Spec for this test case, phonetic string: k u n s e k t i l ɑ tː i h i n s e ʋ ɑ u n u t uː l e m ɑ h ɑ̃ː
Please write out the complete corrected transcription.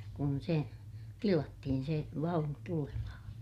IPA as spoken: k u n s e t i l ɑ tː i h i n s e ʋ ɑ u n u t u l e m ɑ h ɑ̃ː